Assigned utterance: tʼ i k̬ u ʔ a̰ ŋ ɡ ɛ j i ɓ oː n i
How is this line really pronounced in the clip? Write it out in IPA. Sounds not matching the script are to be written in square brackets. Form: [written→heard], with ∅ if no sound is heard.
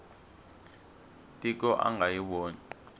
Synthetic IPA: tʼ i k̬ [u→ɔ] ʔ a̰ ŋ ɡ [ɛ→a] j i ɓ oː n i